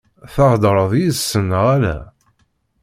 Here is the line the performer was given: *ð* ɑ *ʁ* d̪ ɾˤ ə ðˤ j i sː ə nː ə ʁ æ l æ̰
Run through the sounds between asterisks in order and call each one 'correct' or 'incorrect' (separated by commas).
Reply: incorrect, correct